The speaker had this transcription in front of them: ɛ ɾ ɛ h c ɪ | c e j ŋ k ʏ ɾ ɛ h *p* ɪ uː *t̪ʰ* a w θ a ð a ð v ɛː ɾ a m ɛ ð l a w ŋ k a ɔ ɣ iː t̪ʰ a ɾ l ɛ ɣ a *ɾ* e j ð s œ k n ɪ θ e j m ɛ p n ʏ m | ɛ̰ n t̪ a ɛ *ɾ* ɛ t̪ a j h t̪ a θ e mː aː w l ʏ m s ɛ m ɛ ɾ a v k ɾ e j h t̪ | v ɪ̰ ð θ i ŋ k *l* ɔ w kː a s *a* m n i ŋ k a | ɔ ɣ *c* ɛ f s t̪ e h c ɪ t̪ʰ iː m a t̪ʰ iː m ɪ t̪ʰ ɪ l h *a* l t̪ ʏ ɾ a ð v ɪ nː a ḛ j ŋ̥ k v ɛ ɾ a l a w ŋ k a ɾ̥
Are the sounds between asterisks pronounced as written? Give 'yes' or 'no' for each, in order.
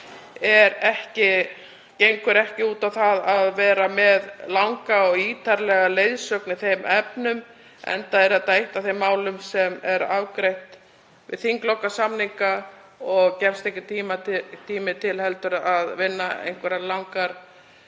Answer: no, no, no, yes, yes, yes, yes, no

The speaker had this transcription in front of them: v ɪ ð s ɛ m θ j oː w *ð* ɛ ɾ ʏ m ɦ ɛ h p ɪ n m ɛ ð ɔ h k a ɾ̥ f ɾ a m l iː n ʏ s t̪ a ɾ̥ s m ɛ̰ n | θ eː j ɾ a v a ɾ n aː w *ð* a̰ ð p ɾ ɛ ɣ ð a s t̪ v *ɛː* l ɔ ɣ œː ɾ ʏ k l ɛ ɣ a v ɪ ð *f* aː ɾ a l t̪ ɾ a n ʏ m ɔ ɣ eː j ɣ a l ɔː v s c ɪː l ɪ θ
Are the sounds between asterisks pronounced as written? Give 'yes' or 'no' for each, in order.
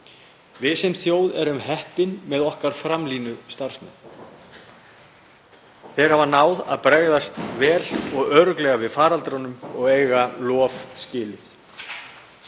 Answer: yes, yes, yes, yes

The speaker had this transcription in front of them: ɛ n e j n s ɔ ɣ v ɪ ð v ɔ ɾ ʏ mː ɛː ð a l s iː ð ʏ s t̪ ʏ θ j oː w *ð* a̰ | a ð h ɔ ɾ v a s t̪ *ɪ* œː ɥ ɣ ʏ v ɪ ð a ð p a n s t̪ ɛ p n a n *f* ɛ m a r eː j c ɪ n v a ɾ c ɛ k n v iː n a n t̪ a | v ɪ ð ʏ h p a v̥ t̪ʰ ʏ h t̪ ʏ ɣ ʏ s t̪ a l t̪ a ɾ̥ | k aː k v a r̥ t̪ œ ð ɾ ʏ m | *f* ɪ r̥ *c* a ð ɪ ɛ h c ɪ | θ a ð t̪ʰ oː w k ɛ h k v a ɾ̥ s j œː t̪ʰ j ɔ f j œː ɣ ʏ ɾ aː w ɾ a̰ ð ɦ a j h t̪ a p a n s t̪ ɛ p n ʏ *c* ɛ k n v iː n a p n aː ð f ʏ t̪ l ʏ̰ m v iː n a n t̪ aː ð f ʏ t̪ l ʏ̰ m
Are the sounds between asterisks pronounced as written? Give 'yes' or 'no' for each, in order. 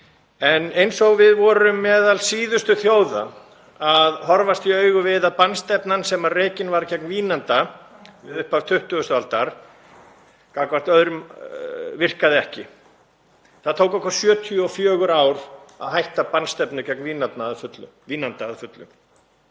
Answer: yes, no, no, no, no, yes

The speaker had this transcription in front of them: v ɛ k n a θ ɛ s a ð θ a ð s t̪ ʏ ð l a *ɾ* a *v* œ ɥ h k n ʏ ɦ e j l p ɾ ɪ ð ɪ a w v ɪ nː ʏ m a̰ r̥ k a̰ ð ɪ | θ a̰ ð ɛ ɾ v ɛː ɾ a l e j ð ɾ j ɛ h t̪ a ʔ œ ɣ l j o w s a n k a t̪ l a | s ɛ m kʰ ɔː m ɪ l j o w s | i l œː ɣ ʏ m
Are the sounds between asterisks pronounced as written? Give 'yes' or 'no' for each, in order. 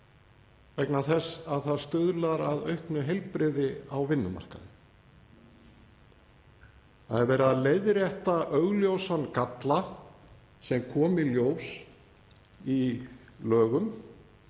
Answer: yes, no

